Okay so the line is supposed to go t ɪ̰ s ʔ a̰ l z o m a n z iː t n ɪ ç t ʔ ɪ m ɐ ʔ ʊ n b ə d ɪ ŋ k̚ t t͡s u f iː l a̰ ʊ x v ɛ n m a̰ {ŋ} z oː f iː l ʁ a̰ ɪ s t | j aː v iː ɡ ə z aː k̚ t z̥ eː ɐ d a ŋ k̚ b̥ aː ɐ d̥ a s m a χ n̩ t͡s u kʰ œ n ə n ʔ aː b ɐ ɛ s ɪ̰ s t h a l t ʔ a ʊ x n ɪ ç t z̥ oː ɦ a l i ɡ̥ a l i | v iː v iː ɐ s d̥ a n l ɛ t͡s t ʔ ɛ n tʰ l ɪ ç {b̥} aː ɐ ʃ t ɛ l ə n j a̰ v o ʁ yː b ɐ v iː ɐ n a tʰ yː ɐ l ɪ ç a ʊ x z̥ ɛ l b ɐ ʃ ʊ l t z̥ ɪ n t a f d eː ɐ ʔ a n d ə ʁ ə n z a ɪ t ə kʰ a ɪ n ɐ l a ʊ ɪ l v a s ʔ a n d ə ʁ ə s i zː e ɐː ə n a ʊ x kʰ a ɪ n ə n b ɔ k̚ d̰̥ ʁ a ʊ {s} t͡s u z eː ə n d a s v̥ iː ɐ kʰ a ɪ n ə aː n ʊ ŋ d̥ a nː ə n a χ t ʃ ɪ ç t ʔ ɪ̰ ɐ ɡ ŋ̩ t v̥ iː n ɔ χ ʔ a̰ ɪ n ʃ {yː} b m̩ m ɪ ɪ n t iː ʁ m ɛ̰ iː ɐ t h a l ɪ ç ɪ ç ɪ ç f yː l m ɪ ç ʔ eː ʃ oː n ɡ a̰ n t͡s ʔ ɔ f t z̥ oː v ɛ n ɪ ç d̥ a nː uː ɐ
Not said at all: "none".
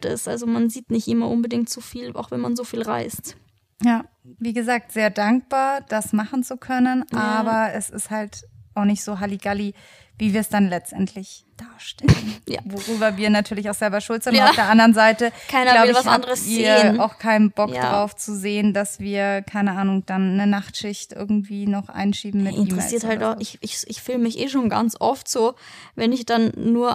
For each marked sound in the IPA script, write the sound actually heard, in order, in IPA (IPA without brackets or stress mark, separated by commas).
n, d̥, f, iː